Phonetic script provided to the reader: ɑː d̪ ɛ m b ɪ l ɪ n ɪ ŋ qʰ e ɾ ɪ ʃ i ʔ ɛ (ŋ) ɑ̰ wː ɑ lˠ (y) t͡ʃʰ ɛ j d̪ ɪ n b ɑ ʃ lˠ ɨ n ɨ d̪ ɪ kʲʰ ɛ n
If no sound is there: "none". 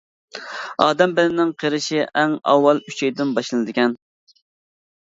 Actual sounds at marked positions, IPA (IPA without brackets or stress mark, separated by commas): ŋ, y